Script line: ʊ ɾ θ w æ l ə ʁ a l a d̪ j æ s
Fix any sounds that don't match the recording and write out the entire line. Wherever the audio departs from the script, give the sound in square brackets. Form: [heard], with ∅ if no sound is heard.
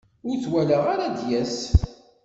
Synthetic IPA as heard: ʊ ɾ θ w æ l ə ʁ a [ɾ] a d̪ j æ s